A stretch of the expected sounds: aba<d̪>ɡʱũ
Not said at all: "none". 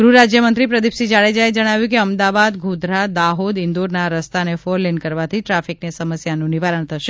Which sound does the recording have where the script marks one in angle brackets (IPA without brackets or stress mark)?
d̪